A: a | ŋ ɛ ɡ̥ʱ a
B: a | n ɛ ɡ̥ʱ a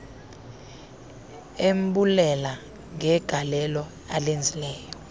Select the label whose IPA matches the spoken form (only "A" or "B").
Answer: A